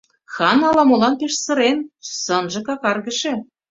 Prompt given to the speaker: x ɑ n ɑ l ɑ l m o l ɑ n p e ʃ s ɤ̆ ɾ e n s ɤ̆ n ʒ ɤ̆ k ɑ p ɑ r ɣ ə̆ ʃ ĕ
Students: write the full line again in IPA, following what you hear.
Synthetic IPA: x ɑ n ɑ l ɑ m o l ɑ n p e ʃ s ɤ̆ ɾ e n s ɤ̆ n ʒ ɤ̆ k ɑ k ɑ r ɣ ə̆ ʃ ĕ